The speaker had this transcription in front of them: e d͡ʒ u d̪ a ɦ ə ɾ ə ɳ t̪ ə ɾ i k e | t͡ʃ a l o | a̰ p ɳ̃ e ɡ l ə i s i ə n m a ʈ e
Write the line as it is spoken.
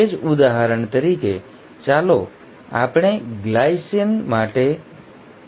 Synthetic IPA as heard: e d͡ʒ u d̪ a ɦ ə ɾ ə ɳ t̪ ə ɾ i k e | t͡ʃ a l o | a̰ p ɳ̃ e ɡ l a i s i ə n m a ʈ e